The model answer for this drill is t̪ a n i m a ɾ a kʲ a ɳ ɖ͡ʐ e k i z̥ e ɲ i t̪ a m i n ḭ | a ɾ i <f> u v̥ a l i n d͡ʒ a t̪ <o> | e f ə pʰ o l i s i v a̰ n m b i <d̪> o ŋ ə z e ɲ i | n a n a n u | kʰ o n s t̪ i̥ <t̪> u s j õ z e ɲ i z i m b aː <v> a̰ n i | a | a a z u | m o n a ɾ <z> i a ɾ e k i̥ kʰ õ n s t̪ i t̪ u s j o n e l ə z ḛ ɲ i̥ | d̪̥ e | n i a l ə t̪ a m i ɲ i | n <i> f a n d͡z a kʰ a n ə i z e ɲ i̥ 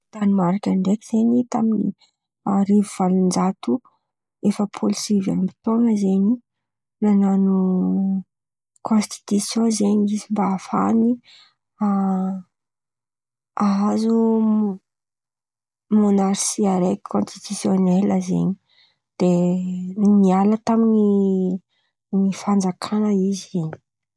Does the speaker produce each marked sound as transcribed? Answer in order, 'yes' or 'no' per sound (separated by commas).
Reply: no, no, no, yes, no, no, yes